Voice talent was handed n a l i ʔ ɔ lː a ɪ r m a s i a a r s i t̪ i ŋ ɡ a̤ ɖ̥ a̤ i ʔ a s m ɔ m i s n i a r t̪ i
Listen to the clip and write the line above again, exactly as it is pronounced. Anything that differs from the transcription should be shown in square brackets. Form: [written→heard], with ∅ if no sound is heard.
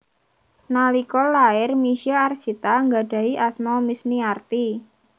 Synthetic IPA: n a l i [ʔ→k] ɔ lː a ɪ r m [a→i] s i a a r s i t̪ [i→a] ŋ ɡ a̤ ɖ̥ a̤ i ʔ a s m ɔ m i s n i a r t̪ i